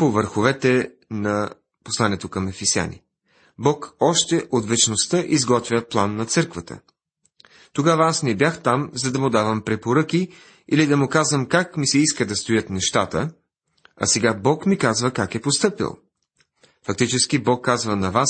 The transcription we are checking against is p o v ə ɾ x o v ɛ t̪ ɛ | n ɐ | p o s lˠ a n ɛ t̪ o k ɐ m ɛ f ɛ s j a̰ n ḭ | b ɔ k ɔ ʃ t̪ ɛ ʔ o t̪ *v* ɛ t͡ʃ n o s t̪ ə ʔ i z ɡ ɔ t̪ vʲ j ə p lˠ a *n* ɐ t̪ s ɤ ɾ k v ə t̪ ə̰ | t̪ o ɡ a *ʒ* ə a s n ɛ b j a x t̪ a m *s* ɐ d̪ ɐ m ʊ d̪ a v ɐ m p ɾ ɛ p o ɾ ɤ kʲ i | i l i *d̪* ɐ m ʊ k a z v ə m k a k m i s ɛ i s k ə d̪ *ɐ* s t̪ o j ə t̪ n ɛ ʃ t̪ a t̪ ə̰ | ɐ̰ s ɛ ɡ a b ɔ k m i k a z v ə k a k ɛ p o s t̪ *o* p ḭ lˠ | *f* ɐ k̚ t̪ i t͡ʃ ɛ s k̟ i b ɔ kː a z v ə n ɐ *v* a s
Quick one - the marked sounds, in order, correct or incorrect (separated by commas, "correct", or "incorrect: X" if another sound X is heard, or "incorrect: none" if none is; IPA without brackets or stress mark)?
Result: correct, incorrect: nː, incorrect: v, incorrect: z, correct, correct, incorrect: ɤ, correct, correct